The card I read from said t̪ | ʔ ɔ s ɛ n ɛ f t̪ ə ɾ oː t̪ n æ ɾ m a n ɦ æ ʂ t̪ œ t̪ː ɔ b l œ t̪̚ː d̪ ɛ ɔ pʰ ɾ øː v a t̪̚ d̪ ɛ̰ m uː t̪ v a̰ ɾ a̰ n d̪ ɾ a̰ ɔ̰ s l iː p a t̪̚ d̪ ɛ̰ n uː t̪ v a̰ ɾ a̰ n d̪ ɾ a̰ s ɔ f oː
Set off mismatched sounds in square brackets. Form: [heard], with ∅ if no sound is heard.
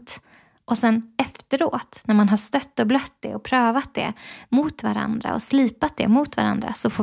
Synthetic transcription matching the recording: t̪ | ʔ ɔ s ɛ n ɛ f t̪ ə ɾ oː t̪ n æ ɾ m a n ɦ [a] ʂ t̪ œ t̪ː ɔ b l œ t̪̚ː d̪ ɛ ɔ pʰ ɾ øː v a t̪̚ d̪ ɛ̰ m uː t̪ v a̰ ɾ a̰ n d̪ ɾ a̰ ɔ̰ s l iː p a t̪̚ d̪ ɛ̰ [m] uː t̪ v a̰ ɾ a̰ n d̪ ɾ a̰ s ɔ f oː